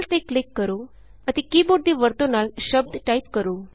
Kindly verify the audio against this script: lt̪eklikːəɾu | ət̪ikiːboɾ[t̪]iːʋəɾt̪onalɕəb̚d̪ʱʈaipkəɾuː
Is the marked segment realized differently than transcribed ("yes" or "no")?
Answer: yes